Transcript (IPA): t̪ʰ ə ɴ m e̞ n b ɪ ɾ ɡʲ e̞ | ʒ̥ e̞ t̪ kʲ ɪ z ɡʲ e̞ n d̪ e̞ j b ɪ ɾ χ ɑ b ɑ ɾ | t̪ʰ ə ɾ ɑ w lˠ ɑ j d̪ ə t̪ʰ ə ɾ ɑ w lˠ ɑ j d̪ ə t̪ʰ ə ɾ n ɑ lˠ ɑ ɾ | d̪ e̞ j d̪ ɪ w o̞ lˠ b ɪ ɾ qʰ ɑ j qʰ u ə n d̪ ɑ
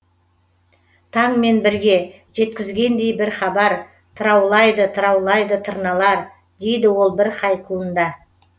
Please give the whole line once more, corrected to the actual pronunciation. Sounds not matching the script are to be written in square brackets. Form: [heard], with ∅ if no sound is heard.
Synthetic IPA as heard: t̪ʰ [ɑ] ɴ m e̞ n b ɪ ɾ ɡʲ e̞ | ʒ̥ e̞ t̪ kʲ ɪ z ɡʲ e̞ n d̪ e̞ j b ɪ ɾ χ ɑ b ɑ ɾ | t̪ʰ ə ɾ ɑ w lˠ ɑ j d̪ ə t̪ʰ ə ɾ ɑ w lˠ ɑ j d̪ ə t̪ʰ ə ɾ n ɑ lˠ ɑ ɾ | d̪ e̞ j d̪ ɪ w o̞ lˠ b ɪ ɾ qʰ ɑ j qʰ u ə n d̪ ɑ